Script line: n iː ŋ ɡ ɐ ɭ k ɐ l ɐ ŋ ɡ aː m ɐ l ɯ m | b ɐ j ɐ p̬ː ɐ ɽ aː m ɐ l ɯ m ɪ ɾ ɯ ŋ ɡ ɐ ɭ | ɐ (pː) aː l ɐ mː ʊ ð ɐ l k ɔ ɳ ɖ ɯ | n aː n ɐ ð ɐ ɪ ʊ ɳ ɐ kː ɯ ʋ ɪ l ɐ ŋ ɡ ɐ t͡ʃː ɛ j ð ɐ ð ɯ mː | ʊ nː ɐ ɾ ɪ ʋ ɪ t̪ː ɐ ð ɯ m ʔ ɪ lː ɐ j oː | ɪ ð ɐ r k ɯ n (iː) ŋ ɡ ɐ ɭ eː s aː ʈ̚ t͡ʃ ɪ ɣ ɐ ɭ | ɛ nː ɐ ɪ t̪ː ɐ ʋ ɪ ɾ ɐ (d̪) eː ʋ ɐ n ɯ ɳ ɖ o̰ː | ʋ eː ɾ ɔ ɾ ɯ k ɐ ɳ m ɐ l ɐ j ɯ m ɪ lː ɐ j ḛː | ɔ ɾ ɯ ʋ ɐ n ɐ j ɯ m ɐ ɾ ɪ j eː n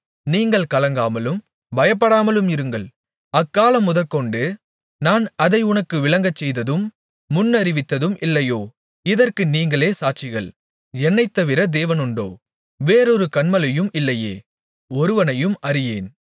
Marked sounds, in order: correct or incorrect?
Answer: incorrect, correct, correct

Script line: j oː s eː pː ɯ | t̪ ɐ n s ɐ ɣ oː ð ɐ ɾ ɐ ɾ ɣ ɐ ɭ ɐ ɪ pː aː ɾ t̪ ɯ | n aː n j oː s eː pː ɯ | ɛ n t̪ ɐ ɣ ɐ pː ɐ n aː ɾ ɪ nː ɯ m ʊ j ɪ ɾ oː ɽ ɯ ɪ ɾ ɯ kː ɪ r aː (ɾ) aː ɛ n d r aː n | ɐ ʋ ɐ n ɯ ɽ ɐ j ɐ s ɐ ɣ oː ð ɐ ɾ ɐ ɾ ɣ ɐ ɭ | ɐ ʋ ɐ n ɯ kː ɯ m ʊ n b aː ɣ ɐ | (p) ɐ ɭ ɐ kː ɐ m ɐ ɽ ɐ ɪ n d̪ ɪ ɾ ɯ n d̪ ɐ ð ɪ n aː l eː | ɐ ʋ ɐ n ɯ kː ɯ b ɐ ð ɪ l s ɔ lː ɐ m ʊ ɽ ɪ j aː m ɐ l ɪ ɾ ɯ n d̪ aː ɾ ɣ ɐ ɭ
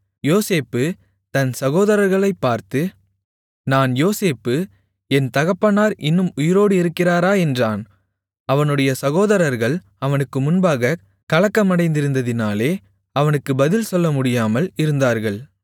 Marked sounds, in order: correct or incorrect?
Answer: correct, incorrect

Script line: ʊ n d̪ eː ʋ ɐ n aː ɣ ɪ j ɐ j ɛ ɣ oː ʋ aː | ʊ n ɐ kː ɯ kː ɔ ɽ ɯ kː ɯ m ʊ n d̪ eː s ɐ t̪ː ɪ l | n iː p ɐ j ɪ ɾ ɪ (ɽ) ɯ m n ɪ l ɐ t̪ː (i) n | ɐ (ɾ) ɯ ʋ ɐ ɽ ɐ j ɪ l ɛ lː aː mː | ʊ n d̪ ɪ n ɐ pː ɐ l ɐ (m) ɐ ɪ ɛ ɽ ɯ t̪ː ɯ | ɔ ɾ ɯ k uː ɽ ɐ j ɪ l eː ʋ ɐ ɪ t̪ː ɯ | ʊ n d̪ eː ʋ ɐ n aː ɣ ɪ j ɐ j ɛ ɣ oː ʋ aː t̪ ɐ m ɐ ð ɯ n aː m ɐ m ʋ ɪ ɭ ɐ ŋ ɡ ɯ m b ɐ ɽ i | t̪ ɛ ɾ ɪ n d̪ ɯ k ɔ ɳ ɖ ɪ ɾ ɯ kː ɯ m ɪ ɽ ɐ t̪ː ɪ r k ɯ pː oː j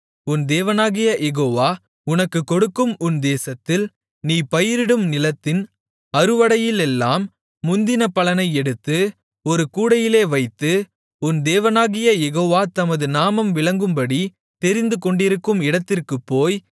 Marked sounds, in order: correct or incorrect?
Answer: correct, incorrect, correct, incorrect

